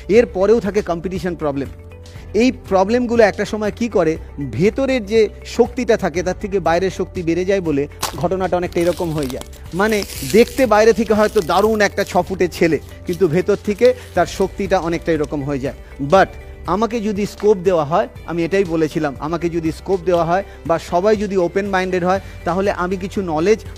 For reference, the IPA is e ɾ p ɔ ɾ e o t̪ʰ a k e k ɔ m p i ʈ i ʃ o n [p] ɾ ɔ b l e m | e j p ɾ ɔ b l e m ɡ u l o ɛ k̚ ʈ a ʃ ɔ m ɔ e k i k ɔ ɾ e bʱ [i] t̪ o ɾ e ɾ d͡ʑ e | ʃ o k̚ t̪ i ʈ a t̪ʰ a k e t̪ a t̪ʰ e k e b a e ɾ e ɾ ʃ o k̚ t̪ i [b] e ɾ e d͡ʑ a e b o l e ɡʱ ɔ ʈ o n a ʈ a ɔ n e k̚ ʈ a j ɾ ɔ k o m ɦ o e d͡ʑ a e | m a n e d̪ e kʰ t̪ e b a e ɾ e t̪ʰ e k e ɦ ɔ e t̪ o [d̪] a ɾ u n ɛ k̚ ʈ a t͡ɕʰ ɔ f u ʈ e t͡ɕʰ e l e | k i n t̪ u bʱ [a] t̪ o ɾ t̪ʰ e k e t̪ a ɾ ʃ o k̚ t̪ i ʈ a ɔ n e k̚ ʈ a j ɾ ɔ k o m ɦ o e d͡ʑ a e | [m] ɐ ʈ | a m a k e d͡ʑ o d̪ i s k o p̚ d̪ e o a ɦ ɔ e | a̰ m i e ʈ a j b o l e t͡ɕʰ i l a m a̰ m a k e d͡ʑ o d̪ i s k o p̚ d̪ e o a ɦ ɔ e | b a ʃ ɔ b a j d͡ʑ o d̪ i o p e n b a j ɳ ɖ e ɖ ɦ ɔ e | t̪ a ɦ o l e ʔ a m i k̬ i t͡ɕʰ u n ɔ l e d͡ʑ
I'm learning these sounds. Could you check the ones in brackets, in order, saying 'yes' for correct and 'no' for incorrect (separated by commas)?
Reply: yes, no, yes, yes, no, no